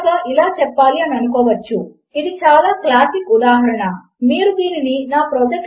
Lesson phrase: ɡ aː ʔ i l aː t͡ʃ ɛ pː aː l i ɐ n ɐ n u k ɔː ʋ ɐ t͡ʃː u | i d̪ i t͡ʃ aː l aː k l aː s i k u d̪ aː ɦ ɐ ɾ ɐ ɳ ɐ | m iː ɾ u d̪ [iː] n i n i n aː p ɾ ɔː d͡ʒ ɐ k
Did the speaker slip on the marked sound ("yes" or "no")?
no